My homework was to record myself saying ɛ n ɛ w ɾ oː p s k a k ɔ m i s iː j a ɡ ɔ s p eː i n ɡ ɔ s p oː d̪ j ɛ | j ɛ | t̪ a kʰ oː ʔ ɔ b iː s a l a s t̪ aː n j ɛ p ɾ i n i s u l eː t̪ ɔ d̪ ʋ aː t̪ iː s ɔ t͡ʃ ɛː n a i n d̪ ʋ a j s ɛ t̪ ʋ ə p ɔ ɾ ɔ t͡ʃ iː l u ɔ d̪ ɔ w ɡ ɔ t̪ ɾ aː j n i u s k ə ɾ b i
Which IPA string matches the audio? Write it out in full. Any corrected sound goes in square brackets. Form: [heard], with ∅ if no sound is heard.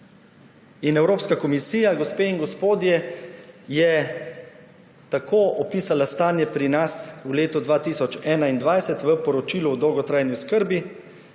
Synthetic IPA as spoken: [i] n ɛ w ɾ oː p s k a k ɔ m i s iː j a ɡ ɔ s p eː i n ɡ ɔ s p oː d̪ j ɛ | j ɛ | t̪ a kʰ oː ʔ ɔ [p] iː s a l a s t̪ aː n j ɛ p ɾ i n [a] s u l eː t̪ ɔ d̪ ʋ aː t̪ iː s ɔ t͡ʃ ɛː n a i n d̪ ʋ a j s ɛ t̪ ʋ ə p ɔ ɾ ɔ t͡ʃ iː l u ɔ d̪ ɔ w ɡ ɔ t̪ ɾ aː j n i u s k ə ɾ b i